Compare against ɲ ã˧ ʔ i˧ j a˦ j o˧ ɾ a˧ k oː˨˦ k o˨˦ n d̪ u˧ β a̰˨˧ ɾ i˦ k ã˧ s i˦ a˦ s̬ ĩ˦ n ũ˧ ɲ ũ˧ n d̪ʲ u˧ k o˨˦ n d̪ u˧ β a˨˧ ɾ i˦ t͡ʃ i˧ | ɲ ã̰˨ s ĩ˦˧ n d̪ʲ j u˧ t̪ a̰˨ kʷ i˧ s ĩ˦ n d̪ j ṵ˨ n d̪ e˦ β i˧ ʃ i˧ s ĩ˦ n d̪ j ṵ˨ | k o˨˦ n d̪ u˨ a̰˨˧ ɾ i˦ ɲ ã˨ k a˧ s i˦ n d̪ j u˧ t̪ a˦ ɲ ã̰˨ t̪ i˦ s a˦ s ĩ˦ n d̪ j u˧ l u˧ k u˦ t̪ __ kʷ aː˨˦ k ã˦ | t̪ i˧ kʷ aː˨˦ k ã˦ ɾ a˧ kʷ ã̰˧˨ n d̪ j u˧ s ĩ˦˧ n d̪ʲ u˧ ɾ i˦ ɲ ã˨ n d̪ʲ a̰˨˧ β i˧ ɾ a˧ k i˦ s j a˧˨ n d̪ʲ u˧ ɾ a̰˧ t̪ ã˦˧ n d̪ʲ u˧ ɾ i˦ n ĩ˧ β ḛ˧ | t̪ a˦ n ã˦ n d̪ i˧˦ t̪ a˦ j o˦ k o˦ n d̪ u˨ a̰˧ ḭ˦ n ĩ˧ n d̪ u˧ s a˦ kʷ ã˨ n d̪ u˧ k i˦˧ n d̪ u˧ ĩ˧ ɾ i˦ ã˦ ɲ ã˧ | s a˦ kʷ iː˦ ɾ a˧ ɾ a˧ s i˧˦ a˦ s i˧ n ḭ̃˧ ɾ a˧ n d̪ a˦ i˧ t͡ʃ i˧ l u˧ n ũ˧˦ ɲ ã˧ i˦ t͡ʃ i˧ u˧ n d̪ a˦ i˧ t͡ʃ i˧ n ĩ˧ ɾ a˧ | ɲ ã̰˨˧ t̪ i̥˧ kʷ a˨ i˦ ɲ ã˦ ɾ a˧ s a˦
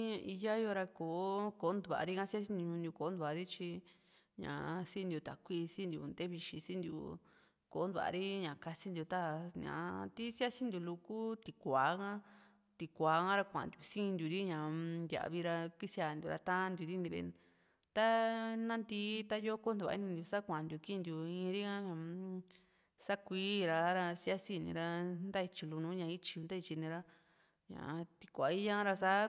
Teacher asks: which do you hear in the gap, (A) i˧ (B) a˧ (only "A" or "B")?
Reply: A